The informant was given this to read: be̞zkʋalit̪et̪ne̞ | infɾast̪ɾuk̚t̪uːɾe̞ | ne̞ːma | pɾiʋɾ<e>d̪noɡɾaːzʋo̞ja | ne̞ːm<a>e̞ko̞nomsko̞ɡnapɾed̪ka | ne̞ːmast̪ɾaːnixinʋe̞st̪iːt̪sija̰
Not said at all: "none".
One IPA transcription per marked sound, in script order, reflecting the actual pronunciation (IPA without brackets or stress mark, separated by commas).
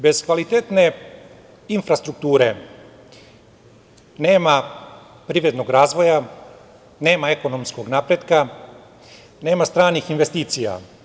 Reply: e, a